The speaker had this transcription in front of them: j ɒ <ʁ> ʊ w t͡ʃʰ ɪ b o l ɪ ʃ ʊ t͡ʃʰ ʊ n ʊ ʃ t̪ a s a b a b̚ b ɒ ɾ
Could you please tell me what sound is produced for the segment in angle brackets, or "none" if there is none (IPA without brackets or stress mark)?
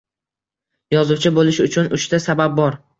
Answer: z